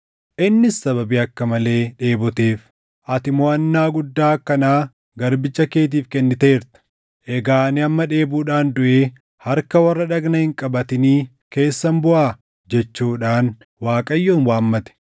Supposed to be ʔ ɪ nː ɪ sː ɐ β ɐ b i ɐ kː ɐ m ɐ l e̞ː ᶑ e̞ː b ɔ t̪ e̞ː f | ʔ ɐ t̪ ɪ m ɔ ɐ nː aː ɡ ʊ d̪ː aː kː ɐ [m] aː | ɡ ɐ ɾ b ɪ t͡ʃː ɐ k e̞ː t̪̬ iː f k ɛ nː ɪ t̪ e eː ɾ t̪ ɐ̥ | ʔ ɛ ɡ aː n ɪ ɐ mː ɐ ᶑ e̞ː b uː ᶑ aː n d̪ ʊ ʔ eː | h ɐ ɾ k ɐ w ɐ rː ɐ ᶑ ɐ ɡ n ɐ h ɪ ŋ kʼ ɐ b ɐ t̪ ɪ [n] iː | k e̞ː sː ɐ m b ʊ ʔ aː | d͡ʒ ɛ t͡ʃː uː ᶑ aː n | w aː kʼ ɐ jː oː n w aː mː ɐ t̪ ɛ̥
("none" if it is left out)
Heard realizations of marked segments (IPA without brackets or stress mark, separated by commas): n, n